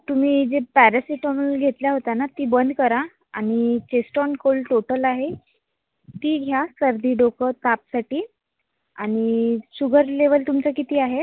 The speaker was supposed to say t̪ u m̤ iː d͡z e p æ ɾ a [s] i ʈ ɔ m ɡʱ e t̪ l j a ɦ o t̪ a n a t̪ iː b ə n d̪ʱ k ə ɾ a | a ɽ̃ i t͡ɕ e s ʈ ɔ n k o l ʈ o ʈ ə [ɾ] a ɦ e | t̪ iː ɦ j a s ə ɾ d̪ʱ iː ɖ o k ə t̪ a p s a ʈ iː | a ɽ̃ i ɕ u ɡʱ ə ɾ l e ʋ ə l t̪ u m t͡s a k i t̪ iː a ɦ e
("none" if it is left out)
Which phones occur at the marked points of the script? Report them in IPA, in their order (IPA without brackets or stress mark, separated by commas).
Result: s, l